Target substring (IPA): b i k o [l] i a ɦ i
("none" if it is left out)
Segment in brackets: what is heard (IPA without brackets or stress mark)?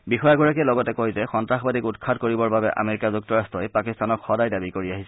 ɹ